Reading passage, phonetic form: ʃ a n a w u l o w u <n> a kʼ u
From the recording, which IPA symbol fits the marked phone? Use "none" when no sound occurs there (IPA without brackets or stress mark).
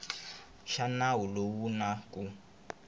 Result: n